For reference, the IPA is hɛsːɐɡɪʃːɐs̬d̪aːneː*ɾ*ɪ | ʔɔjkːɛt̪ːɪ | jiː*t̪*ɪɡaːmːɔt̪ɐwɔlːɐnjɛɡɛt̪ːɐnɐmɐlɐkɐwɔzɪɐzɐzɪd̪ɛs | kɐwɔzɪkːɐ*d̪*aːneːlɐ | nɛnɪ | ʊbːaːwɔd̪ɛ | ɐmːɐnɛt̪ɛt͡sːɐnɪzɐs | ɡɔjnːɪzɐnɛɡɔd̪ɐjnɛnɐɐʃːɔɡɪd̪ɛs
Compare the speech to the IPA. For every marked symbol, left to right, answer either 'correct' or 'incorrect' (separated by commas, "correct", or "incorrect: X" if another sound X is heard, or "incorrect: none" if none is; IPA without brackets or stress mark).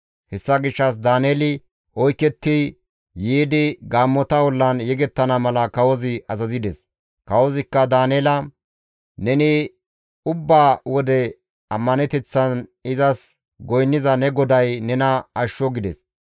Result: incorrect: l, incorrect: d̪, correct